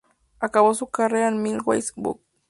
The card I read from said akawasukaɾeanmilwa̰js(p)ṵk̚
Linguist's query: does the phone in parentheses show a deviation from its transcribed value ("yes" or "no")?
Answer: yes